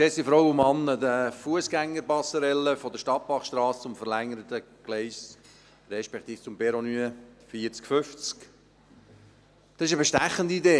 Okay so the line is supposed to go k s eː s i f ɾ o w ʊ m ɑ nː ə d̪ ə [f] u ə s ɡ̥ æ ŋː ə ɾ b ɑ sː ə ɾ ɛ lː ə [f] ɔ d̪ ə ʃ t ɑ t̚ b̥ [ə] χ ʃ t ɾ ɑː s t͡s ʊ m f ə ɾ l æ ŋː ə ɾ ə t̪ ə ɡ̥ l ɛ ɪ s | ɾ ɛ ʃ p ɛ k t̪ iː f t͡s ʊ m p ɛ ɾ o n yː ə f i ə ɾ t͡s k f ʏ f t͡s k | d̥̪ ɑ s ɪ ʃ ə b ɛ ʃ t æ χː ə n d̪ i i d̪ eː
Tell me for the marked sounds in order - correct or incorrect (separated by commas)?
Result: correct, correct, incorrect